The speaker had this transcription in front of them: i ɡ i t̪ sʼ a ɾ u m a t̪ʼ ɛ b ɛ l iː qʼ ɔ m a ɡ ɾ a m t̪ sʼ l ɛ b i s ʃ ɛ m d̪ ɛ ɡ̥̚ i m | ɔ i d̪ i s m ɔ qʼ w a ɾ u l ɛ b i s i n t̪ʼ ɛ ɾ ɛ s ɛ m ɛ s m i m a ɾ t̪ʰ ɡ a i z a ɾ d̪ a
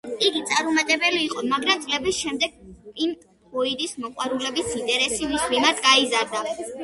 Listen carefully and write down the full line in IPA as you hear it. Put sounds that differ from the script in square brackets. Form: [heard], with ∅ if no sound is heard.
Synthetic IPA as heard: i ɡ i t̪ sʼ a ɾ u m a t̪ʼ ɛ b ɛ l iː qʼ ɔ m a ɡ ɾ a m t̪ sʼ l ɛ b i s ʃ ɛ m d̪ ɛ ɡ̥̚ i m | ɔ i d̪ i s m ɔ qʼ w a ɾ u l ɛ b i s i n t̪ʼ ɛ ɾ ɛ s [i] m [i] s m i m a ɾ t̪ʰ ɡ a i z a ɾ d̪ a